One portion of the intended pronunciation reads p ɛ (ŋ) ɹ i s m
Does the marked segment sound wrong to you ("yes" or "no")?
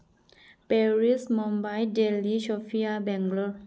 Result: yes